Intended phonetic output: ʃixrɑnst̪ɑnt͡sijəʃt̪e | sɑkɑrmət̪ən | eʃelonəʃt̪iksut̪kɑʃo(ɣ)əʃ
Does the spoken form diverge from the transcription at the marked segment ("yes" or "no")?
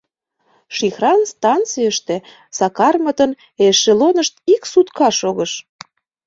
no